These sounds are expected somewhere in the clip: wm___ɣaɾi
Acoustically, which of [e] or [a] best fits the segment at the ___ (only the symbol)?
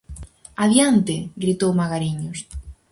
a